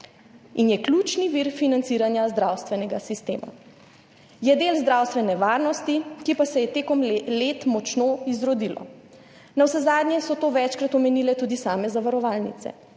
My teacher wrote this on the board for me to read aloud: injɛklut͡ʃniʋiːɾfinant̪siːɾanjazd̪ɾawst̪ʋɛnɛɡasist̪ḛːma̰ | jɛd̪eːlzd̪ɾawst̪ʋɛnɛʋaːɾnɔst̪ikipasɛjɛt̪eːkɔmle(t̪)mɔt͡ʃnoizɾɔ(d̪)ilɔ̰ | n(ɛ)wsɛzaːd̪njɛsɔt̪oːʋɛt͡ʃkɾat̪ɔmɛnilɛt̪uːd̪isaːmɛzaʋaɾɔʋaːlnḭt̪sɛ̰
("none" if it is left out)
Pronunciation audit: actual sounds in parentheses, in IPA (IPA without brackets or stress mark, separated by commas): t̪, d̪, a